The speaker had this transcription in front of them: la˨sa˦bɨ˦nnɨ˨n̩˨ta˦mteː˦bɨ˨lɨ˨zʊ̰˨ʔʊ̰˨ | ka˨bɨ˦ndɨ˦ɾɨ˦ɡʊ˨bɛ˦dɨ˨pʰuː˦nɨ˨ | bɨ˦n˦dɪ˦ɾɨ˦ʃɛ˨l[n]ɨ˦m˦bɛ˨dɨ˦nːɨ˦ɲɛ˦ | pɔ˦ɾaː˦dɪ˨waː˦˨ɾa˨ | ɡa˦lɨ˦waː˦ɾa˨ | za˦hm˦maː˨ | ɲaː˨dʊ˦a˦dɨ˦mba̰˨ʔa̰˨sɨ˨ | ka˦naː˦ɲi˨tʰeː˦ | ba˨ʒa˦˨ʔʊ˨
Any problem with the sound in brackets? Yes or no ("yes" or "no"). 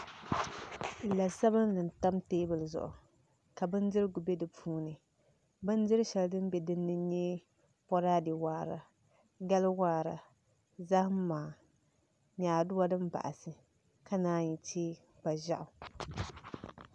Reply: yes